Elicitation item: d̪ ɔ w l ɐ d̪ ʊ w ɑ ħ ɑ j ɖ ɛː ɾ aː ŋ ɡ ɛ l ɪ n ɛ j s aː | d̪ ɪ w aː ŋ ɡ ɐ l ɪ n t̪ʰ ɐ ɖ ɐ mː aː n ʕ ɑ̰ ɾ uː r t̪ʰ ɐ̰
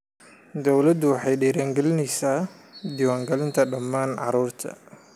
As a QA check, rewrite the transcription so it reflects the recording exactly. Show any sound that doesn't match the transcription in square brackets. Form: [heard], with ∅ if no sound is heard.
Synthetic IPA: d̪ ɔ w l ɐ d̪ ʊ w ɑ ħ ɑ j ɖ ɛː ɾ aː ŋ ɡ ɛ l ɪ n ɛ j s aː | d̪ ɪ w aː ŋ ɡ ɐ l ɪ n t̪ʰ ɐ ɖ ɐ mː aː n ʕ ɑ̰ ɾ uː r t̪ʰ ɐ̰